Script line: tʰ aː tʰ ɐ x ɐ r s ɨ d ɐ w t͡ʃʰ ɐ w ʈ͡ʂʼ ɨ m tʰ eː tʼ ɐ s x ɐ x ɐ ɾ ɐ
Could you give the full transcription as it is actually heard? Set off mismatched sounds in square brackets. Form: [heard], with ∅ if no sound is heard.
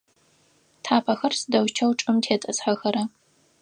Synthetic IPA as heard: tʰ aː [pʰ] ɐ x ɐ r s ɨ d ɐ w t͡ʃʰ ɐ w ʈ͡ʂʼ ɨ m tʰ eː tʼ ɐ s [ħ] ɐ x ɐ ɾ ɐ